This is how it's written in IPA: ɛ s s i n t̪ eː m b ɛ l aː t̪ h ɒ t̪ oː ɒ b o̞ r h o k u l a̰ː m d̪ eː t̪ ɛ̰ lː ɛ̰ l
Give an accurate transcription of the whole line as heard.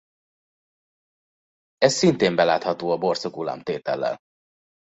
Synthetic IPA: ɛ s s i n t̪ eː m b ɛ l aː t̪ h ɒ t̪ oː ɒ b o̞ r s o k u l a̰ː m t̪ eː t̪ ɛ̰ lː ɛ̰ l